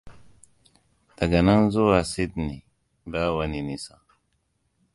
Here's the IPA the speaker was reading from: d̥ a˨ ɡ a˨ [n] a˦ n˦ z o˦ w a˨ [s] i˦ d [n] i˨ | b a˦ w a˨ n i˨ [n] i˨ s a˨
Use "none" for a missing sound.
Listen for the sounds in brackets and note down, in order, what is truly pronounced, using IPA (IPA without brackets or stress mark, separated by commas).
n, s, n, n